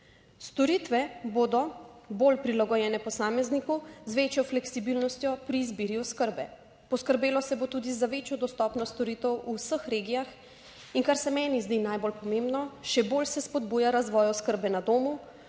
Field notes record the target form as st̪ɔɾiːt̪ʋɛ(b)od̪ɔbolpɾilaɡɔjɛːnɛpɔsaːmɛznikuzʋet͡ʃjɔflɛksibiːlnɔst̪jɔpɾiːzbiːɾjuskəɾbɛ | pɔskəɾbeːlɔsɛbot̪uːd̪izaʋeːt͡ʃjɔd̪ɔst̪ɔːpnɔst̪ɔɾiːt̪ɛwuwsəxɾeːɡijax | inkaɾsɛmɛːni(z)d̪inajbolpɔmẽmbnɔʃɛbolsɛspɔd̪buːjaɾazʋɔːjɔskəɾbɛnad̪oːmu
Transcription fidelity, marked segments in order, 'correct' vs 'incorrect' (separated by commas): correct, correct